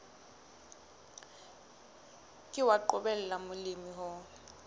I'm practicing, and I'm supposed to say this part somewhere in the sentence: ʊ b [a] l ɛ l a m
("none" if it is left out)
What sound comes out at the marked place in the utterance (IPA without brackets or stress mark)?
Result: ɛ